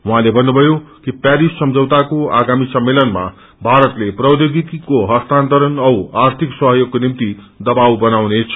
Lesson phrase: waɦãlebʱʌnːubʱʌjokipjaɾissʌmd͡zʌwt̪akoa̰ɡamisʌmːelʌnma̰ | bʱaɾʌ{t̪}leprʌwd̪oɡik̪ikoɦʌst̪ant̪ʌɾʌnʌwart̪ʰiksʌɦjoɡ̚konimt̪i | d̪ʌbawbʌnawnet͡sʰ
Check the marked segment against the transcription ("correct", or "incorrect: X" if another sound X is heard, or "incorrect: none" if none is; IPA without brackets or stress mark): correct